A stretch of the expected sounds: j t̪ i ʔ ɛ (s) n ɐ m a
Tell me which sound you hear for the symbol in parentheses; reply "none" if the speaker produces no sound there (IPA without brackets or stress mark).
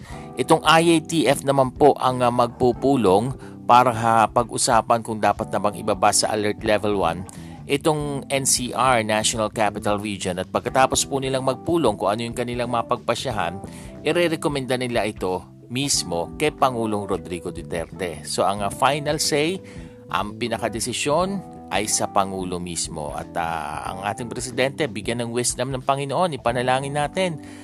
f